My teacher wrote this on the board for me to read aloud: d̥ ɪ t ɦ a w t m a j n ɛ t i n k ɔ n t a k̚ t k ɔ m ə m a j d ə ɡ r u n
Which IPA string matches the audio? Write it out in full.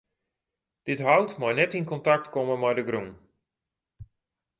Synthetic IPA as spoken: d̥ ɪ t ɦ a w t m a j n ɛ t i n k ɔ n t a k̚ t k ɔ m ə m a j d ə ɡ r u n